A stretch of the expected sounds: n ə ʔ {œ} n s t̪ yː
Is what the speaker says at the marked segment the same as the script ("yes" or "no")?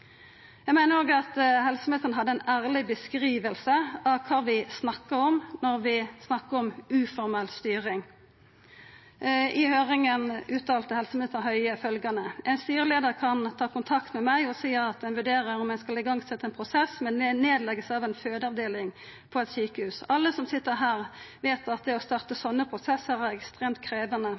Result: no